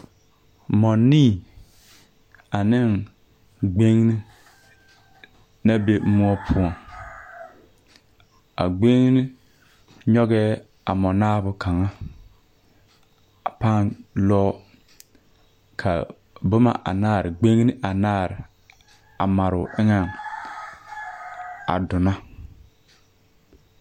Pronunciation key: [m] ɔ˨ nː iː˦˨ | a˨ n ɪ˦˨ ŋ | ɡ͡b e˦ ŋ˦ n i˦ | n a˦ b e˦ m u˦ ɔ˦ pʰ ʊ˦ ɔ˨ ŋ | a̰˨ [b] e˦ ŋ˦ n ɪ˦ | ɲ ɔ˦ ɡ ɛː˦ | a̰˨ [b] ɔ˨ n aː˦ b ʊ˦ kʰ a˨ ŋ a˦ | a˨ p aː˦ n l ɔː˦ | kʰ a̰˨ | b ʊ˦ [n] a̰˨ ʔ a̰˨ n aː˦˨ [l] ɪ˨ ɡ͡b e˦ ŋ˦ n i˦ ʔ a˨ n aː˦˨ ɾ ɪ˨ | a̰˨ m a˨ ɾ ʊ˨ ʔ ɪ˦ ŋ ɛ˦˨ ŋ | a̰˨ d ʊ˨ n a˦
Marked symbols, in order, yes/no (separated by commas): yes, no, no, no, no